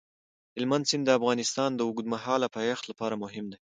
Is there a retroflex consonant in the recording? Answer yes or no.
no